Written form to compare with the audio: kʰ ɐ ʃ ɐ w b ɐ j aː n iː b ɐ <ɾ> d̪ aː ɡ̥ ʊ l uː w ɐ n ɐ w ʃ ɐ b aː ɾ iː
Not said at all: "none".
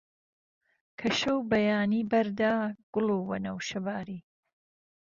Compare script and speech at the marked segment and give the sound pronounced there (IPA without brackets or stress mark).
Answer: ɾ